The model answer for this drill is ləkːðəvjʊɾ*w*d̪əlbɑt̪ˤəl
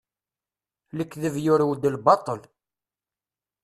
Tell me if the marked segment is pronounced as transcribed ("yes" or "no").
yes